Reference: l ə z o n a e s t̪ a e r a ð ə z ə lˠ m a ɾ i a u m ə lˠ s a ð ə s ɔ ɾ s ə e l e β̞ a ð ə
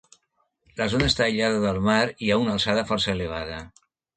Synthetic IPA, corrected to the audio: l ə z o n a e s t̪ a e ʎ a ð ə ð ə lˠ m a ɾ i a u n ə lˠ s a ð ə f ɔ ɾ s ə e l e β̞ a ð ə